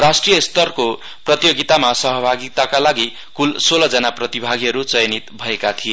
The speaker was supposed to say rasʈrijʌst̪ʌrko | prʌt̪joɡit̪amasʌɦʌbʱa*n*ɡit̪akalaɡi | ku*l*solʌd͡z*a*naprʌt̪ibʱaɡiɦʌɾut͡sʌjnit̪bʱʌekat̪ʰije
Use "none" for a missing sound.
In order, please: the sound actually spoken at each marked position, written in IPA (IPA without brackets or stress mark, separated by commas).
none, l, ʌ